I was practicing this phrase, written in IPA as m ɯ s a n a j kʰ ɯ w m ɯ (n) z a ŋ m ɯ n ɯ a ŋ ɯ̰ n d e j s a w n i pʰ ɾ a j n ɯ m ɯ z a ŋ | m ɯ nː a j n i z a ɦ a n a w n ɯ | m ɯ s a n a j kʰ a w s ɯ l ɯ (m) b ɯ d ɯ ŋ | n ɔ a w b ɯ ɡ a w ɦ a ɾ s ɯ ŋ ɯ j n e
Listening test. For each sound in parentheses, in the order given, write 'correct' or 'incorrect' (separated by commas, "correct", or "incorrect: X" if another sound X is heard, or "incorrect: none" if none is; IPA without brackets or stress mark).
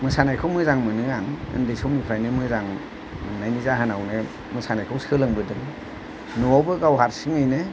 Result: incorrect: none, incorrect: ŋ